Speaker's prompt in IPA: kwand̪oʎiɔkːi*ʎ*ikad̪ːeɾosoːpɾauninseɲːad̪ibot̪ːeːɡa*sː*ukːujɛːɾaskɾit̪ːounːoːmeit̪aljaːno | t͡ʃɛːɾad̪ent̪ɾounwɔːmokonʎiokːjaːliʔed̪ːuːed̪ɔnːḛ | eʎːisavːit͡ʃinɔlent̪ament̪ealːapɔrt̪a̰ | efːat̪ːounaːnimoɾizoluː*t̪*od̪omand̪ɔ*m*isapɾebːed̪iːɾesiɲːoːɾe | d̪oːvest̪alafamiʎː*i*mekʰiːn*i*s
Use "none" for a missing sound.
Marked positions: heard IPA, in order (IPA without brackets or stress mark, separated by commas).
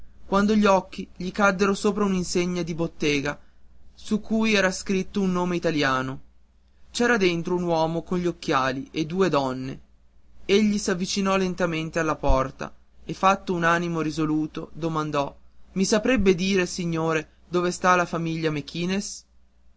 ʎ, s, t̪, m, a, e